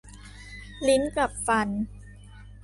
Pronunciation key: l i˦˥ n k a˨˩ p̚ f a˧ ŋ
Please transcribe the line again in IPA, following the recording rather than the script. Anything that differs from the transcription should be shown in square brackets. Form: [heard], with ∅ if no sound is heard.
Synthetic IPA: l i˦˥ n k a˨˩ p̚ f a˧ [n]